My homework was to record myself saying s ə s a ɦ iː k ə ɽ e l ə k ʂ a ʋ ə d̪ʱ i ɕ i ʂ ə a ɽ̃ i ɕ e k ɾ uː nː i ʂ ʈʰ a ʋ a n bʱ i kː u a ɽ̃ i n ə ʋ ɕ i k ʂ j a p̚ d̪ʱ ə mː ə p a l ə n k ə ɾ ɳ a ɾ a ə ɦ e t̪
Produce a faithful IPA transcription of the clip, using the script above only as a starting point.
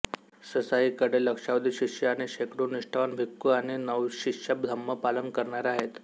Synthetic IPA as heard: s ə s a ɦ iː k ə ɽ e l ə k ʂ a ʋ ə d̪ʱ i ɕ i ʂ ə a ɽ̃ i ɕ e k ɾ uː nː i ʂ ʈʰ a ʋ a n bʱ i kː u a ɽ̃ i n ə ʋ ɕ i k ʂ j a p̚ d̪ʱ ə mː ə p a l ə n k ə ɾ ɳ a ɾ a a ɦ e t̪